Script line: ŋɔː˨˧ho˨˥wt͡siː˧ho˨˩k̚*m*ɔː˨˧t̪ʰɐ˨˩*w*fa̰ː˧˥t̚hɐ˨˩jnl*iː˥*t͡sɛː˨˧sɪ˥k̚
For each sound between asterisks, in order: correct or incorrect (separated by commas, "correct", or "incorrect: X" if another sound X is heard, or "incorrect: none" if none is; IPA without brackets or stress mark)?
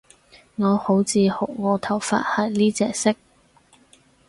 incorrect: ŋ, correct, correct